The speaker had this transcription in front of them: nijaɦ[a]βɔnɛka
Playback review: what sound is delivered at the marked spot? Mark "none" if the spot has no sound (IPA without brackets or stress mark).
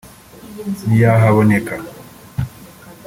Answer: a